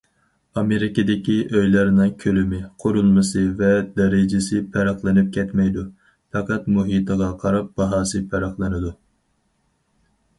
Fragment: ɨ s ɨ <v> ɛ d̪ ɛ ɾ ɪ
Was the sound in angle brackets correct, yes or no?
yes